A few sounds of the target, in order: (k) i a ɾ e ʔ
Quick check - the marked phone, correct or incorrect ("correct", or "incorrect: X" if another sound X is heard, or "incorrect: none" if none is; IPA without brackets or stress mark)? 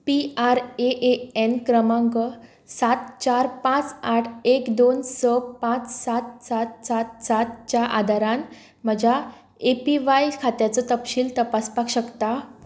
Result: incorrect: p